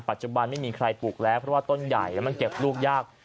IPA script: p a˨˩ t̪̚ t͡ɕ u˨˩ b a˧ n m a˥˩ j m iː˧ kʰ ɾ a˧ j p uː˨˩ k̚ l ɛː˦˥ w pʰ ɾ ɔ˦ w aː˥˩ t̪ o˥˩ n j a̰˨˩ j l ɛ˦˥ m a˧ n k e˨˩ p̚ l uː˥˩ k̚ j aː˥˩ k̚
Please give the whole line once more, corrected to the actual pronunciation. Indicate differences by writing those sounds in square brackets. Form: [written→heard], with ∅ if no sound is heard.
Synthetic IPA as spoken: p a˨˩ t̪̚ t͡ɕ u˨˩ b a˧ n m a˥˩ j m iː˧ kʰ ɾ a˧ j p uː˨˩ k̚ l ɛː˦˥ w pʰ ɾ ɔ˦ w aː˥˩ t̪ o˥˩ n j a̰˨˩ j l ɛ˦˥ m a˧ n k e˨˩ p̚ l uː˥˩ k̚ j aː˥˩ k̚